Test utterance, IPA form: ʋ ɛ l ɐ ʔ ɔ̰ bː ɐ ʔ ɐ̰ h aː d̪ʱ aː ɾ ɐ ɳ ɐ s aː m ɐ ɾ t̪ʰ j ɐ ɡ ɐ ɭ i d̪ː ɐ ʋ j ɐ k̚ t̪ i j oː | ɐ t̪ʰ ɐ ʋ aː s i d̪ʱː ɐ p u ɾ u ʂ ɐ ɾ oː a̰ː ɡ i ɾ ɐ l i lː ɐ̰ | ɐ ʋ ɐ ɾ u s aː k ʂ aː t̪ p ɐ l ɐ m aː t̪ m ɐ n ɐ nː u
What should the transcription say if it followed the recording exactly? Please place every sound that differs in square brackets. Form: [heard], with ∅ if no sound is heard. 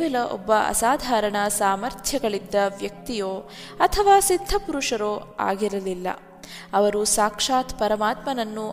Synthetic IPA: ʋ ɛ l ɐ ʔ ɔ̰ bː ɐ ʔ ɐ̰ [s] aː d̪ʱ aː ɾ ɐ ɳ ɐ s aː m ɐ ɾ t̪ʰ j ɐ ɡ ɐ ɭ i d̪ː ɐ ʋ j ɐ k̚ t̪ i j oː | ɐ t̪ʰ ɐ ʋ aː s i d̪ʱː ɐ p u ɾ u ʂ ɐ ɾ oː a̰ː ɡ i ɾ ɐ l i lː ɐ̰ | ɐ ʋ ɐ ɾ u s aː k ʂ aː t̪ p ɐ [ɾ] ɐ m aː t̪ m ɐ n ɐ nː u